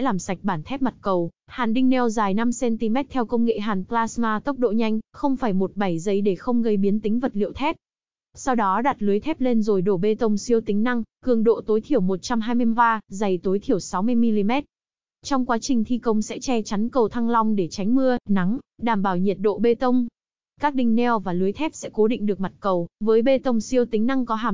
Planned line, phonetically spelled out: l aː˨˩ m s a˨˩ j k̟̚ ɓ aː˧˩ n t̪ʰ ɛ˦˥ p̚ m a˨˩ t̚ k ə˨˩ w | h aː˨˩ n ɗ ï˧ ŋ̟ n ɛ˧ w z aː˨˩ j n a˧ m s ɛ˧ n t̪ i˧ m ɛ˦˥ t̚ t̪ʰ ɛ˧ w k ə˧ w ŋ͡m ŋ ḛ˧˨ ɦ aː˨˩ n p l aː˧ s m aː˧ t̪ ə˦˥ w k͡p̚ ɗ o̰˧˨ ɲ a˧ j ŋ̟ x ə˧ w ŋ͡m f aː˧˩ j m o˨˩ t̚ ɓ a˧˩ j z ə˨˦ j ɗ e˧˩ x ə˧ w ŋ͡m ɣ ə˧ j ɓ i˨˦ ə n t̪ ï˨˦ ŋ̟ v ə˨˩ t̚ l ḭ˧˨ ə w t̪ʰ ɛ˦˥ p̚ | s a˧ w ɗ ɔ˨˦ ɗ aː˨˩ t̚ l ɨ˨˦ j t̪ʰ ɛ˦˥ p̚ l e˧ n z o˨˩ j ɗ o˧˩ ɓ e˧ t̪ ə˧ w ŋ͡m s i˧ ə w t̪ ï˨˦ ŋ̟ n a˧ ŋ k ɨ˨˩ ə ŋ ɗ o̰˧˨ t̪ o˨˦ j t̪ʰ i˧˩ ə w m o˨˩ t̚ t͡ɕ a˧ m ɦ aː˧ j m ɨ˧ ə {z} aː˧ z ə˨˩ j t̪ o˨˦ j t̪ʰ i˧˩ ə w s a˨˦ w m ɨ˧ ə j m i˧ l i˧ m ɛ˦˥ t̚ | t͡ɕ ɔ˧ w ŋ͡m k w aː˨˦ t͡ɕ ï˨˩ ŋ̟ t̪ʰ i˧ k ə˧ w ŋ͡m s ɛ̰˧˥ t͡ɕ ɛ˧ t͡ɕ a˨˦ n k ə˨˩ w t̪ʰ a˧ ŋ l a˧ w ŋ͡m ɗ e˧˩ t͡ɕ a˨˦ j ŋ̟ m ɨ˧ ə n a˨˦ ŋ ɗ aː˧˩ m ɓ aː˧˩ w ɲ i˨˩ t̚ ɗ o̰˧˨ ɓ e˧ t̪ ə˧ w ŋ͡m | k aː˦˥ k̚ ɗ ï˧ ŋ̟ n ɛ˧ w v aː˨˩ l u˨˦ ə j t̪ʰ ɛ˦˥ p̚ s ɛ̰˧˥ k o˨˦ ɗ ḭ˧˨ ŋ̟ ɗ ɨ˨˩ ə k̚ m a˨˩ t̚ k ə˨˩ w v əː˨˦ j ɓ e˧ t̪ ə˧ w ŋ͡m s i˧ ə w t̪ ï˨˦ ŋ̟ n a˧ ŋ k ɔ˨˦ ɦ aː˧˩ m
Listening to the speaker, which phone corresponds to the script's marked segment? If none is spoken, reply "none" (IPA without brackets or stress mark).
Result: v